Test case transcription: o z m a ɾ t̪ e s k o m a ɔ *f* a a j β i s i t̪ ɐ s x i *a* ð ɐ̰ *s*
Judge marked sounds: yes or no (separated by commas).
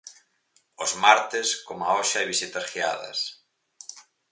no, yes, yes